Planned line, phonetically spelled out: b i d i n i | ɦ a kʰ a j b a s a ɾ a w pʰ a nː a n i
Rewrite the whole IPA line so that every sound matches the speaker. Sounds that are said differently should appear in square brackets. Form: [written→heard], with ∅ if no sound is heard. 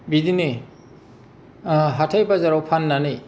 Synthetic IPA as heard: b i d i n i | ɦ a [kʰ→tʰ] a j b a [s→z] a ɾ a w pʰ a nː a n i